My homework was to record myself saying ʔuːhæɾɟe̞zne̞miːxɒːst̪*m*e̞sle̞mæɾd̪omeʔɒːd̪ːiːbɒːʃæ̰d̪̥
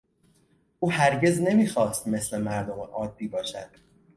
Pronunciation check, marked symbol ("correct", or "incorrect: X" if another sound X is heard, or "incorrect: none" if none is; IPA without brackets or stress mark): correct